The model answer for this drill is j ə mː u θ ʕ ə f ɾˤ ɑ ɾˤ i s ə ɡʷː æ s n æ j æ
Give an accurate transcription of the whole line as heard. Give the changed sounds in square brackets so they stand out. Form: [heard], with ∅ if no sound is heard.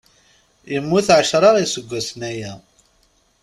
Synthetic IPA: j ə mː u θ ʕ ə [ʃ] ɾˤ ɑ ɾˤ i s ə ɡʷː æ s n æ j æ